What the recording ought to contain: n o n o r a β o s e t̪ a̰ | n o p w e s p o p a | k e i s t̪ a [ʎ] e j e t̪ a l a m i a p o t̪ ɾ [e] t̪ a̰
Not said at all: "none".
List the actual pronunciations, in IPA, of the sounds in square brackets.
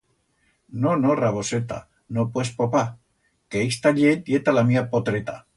ʎ, e

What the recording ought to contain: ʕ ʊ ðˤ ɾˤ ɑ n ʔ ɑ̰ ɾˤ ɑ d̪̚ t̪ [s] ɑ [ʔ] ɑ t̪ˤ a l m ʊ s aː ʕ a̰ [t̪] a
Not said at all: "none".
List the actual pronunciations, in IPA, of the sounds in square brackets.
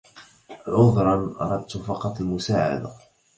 f, q, d̪

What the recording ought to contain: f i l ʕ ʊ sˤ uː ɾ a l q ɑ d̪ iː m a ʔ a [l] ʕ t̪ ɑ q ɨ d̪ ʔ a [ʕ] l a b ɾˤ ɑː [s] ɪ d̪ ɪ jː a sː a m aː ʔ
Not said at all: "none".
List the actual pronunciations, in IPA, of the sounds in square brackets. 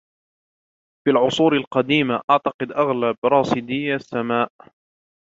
none, ɣ, s

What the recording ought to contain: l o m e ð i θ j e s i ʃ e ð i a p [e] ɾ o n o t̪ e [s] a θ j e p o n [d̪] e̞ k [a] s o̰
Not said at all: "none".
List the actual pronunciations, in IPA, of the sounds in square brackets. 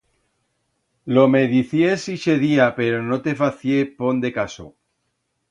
e, f, d̪, a

